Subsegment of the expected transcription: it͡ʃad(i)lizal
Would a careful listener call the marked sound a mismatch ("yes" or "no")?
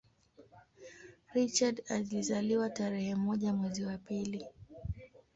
yes